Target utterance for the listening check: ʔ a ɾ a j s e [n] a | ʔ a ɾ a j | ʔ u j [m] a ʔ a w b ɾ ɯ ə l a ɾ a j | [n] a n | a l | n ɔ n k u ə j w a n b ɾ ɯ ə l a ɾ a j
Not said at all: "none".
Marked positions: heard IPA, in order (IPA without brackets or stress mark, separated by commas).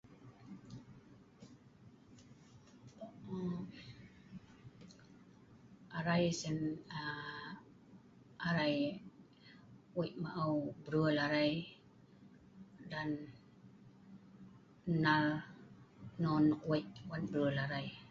n, m, d